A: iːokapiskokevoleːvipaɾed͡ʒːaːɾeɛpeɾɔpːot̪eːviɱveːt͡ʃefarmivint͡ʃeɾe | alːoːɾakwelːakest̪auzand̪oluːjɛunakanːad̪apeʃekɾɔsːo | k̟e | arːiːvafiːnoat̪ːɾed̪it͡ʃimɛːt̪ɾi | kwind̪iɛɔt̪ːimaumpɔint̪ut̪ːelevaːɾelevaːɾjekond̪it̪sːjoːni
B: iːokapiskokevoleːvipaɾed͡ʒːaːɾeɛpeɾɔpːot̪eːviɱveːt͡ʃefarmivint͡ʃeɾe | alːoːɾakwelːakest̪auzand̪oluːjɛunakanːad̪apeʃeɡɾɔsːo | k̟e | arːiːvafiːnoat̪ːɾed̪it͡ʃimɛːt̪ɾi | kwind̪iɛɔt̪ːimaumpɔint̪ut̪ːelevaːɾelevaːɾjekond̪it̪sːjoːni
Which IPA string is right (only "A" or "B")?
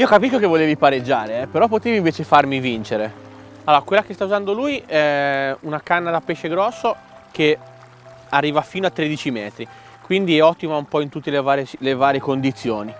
B